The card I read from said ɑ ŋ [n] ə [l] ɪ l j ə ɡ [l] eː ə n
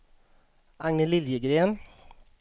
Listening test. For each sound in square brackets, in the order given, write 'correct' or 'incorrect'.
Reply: correct, correct, incorrect: ɾ

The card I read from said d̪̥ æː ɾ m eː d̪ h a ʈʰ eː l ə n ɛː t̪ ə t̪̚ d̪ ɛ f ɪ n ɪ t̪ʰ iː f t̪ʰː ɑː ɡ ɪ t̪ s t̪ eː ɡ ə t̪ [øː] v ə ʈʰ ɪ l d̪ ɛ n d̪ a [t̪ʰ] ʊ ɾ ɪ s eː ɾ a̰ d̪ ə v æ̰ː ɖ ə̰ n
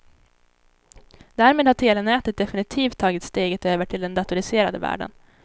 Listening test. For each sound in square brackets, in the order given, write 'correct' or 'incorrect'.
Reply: correct, incorrect: t̪

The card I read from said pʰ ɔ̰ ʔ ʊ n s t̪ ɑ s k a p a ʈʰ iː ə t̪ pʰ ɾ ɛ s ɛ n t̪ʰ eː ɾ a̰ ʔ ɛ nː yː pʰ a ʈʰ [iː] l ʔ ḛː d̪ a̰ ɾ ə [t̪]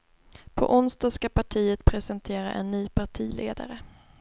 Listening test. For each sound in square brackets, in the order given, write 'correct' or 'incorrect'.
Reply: correct, incorrect: none

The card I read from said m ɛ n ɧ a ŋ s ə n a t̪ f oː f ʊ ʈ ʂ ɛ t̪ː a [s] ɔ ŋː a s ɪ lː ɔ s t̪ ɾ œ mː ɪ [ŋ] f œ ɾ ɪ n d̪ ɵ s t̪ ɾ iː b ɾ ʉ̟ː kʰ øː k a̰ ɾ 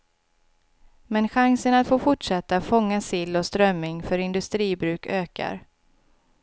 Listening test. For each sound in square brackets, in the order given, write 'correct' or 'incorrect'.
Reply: incorrect: f, correct

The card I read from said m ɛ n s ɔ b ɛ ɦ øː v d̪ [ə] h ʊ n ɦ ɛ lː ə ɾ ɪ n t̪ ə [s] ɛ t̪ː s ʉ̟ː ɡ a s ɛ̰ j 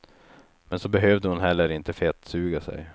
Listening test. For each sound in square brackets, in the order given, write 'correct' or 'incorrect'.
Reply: correct, incorrect: f

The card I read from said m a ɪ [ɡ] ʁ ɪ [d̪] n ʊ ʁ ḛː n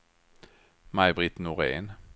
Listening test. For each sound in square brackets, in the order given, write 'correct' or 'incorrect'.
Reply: incorrect: b, incorrect: t̪

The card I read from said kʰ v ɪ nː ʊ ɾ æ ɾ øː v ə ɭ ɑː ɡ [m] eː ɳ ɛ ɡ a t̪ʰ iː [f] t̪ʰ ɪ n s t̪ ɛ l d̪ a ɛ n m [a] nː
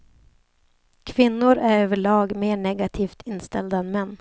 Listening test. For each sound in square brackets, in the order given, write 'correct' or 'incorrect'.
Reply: correct, correct, incorrect: ɛ

